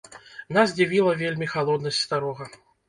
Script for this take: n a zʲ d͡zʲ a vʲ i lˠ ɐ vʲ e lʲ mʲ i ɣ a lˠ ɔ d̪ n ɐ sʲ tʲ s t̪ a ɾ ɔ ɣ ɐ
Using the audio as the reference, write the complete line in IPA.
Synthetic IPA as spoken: n a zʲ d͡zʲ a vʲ i lˠ ɐ vʲ e lʲ mʲ i x a lˠ ɔ d̪ n ɐ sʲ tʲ s t̪ a ɾ ɔ ɣ ɐ